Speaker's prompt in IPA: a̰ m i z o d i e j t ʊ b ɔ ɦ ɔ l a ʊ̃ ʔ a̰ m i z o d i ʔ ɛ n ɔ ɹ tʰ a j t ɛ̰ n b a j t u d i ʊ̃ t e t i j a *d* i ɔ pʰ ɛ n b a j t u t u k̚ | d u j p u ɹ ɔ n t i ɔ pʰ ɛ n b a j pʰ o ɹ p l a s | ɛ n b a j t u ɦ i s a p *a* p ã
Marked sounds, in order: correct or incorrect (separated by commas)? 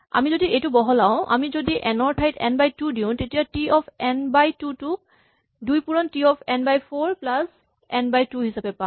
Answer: incorrect, incorrect